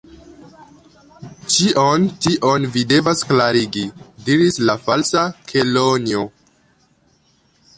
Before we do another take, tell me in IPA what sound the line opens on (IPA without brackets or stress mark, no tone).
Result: t͡ʃ